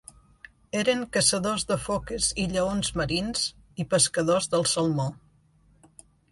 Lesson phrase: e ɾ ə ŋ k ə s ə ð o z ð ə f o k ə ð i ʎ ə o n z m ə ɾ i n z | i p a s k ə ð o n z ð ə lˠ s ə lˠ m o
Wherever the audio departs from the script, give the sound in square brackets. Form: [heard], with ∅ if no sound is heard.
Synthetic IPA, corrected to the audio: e ɾ ə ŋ k ə s ə ð o z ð ə f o k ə [z] i ʎ ə o n z m ə ɾ i n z | i p [ə] s k ə ð o [∅] z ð ə lˠ s ə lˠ m o